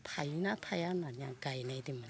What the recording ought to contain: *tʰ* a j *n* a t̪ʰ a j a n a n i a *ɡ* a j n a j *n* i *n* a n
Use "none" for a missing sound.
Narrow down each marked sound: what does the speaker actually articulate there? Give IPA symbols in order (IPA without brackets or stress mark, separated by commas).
tʰ, n, ɡ, d, m